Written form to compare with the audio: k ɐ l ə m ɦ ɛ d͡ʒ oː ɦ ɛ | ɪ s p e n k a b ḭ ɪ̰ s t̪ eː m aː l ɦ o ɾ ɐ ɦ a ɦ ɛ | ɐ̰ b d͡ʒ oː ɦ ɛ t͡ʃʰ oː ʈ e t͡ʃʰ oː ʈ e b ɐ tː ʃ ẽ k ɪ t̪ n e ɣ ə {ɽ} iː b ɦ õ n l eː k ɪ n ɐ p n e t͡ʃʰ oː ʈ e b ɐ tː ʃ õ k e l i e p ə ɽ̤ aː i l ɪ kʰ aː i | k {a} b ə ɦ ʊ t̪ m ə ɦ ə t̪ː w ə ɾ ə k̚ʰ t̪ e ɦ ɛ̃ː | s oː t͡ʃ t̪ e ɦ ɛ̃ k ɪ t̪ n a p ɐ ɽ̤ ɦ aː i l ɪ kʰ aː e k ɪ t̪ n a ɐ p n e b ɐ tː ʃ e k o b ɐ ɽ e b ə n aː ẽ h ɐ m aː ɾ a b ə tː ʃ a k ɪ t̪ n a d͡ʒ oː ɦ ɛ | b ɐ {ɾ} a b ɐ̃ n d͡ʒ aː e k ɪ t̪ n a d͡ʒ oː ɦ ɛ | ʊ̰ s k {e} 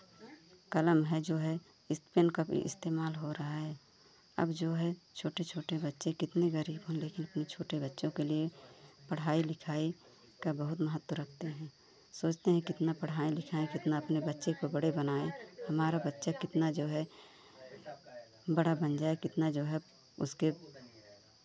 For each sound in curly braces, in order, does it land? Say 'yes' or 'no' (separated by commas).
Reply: no, yes, no, yes